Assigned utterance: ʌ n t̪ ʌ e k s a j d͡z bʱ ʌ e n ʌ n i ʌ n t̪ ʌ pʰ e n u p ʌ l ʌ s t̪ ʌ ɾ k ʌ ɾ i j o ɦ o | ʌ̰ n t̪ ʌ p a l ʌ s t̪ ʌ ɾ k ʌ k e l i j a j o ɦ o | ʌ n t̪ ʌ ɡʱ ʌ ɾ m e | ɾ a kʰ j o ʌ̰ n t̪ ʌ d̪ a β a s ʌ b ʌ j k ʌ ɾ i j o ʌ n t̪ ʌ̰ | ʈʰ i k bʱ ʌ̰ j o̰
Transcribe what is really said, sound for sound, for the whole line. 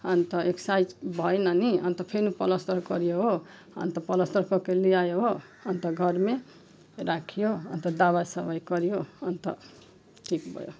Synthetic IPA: ʌ n t̪ ʌ e k s a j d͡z bʱ ʌ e n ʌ n i ʌ n t̪ ʌ pʰ e n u p ʌ l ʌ s t̪ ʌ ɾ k ʌ ɾ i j o ɦ o | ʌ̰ n t̪ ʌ p ʌ l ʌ s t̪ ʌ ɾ k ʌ k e l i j a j o ɦ o | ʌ n t̪ ʌ ɡʱ ʌ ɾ m e | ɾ a kʰ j o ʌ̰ n t̪ ʌ d̪ a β a s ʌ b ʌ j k ʌ ɾ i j o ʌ n t̪ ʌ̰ | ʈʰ i k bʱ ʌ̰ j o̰